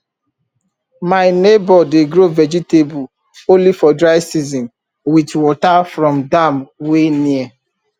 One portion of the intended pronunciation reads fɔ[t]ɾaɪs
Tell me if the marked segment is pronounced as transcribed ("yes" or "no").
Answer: no